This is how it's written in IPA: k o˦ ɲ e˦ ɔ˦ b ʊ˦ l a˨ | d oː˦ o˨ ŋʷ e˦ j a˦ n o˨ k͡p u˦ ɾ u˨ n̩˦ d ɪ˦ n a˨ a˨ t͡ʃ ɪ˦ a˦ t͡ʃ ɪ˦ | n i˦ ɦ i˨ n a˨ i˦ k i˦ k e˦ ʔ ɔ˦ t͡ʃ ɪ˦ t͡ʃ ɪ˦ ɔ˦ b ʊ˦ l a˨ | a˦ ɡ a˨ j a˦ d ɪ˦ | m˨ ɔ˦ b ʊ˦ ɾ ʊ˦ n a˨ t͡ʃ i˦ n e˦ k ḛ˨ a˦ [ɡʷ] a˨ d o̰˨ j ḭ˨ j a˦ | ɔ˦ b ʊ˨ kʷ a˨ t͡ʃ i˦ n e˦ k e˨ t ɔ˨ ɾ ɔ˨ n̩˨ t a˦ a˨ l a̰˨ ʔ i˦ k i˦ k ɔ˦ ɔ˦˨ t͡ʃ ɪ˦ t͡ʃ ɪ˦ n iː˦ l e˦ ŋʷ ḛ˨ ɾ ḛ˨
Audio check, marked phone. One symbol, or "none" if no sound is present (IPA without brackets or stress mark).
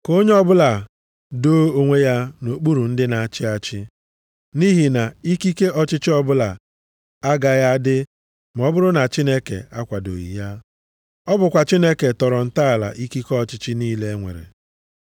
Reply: kʷ